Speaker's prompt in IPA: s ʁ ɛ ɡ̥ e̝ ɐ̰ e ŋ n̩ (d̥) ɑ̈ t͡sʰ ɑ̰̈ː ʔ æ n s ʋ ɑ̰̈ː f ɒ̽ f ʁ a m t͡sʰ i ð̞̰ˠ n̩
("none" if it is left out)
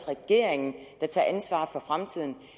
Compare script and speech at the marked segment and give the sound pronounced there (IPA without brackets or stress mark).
d̥